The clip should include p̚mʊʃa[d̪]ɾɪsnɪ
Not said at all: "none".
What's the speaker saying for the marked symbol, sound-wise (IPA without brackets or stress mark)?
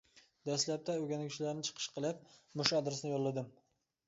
d̪